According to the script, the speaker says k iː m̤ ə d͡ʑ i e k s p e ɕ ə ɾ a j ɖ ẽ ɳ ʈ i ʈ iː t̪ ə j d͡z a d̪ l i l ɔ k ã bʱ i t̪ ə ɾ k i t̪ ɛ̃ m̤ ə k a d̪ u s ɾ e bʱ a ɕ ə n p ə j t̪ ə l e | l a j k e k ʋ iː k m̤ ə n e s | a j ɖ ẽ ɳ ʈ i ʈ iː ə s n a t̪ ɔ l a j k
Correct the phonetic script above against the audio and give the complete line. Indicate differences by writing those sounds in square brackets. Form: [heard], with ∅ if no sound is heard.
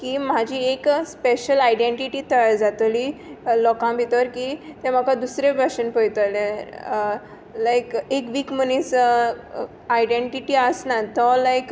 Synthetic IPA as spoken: k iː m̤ [a] d͡ʑ i e k s p e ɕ ə [l] a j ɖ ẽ ɳ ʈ i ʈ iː t̪ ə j d͡z a [t̪] l i l ɔ k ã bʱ i t̪ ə ɾ k i t̪ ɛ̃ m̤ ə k a d̪ u s ɾ e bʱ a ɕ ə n p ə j t̪ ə l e | l a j k e k ʋ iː k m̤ ə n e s | a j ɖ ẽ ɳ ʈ i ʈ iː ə s n a t̪ ɔ l a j k